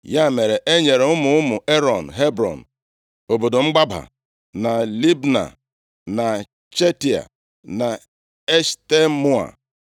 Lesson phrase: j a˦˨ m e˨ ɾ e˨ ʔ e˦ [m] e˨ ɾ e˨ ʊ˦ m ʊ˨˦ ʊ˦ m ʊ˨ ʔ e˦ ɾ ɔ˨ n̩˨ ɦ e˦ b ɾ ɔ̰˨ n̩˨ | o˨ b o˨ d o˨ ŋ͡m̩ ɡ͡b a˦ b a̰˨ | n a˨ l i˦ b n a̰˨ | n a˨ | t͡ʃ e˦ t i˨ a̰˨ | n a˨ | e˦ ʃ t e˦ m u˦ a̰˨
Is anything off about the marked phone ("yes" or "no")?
yes